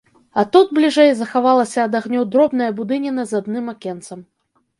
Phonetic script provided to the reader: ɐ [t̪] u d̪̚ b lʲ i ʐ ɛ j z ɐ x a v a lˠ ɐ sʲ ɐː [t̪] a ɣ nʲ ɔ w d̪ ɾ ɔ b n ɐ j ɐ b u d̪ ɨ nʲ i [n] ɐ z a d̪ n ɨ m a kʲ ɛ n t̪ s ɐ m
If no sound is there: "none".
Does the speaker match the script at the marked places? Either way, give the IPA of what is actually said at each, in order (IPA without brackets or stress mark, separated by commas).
t̪, d̪, n